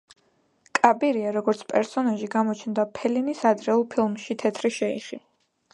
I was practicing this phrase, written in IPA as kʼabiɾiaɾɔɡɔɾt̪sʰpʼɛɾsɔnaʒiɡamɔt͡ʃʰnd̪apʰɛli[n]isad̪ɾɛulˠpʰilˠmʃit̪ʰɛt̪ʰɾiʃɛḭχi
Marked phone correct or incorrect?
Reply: correct